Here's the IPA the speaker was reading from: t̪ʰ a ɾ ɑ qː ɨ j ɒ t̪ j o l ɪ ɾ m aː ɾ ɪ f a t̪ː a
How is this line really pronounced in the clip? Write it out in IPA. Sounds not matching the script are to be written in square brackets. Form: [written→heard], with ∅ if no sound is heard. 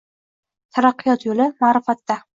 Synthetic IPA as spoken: t̪ʰ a ɾ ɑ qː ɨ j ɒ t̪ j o l ɪ [ɾ→∅] m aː ɾ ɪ f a t̪ː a